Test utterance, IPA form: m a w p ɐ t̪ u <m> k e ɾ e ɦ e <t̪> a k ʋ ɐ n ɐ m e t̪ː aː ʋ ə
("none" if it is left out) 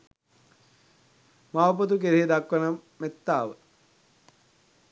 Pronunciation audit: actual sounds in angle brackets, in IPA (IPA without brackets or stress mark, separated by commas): none, d̪